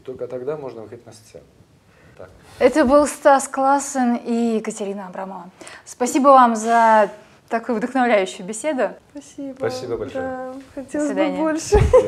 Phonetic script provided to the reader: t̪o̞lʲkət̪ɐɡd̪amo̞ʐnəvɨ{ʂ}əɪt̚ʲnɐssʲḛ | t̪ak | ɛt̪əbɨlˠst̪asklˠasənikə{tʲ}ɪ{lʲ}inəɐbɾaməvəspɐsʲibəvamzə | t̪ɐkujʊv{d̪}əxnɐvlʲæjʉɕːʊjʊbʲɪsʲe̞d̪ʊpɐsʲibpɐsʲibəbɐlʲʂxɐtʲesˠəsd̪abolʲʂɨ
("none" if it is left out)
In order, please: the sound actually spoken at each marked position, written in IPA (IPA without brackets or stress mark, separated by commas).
x, tʲ, ɾʲ, d̪